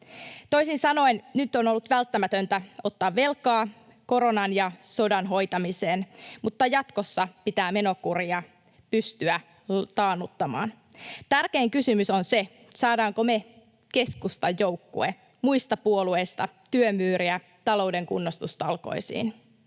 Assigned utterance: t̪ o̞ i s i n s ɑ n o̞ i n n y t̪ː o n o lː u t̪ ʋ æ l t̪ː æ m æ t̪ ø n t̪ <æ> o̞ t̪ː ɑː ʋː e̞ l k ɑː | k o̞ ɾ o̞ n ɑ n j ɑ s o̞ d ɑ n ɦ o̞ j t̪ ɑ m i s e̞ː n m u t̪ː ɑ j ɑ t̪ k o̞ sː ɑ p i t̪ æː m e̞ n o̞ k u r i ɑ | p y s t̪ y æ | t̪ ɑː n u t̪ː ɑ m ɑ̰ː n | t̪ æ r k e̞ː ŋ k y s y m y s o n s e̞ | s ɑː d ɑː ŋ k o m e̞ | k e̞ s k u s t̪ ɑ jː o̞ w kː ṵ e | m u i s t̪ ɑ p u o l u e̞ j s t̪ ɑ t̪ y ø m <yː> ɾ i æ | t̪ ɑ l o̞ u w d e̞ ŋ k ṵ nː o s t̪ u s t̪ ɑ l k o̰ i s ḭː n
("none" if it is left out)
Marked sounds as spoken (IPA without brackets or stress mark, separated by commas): æ, yː